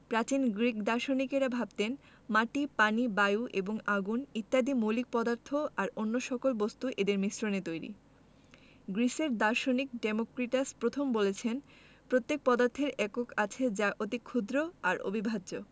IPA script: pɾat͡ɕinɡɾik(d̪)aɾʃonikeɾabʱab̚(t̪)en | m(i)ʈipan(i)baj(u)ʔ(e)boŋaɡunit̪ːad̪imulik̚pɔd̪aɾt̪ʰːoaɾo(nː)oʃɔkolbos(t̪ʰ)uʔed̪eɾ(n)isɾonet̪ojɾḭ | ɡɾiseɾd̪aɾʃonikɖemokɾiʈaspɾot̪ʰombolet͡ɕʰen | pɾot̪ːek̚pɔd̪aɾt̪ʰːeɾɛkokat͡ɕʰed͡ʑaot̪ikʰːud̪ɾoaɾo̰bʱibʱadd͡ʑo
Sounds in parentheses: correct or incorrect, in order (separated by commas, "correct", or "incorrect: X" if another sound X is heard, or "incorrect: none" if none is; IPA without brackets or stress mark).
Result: correct, correct, incorrect: a, correct, correct, correct, correct, incorrect: t̪, incorrect: m